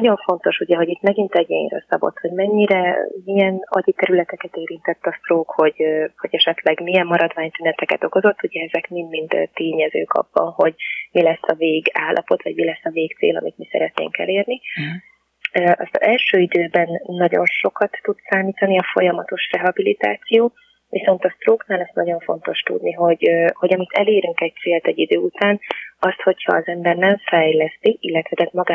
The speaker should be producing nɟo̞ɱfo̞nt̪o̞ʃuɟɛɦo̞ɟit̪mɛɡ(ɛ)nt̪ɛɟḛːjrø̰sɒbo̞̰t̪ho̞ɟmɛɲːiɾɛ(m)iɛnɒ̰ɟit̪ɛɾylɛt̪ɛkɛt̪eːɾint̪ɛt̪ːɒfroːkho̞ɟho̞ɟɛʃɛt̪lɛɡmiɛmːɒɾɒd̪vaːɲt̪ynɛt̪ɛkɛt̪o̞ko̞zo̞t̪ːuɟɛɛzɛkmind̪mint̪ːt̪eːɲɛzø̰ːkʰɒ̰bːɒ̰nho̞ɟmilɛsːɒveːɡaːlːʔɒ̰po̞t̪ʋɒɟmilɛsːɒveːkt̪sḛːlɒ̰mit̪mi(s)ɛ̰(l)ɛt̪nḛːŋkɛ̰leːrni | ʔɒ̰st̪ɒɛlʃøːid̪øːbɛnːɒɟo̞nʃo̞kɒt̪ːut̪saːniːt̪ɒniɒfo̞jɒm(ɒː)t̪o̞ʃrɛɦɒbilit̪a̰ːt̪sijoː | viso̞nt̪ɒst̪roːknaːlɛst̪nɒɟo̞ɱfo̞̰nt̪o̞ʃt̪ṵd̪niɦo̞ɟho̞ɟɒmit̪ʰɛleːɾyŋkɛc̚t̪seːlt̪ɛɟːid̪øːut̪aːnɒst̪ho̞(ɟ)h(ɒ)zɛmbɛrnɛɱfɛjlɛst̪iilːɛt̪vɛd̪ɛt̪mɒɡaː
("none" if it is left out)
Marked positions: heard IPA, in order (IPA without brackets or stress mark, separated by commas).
i, m, s, ɾ, ɒ, c, ɒː